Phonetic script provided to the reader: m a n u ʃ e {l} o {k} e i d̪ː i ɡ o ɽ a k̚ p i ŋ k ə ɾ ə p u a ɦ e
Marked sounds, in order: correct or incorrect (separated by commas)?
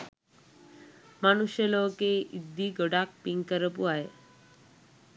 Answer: correct, correct